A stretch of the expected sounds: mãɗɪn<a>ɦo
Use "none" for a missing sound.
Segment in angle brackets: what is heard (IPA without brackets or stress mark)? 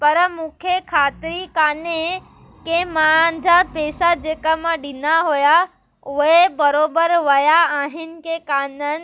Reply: a